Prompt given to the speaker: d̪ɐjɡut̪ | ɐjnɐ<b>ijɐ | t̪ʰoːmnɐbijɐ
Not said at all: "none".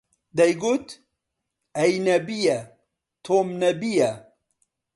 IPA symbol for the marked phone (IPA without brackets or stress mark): b